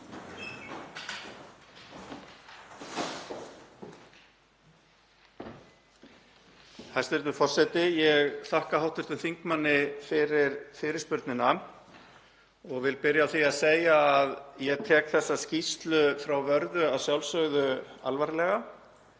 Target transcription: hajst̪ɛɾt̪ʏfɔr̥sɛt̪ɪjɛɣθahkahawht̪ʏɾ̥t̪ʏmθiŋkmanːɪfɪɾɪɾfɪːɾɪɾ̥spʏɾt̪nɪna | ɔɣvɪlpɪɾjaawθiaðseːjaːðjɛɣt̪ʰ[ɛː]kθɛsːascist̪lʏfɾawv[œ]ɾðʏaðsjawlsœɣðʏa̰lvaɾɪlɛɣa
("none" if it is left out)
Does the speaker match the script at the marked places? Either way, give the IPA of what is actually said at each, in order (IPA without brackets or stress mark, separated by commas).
ɛː, œ